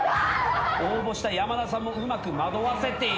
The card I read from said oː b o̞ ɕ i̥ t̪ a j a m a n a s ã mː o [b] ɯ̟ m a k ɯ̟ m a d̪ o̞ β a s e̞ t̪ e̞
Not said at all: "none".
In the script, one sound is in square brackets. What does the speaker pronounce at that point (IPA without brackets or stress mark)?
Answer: none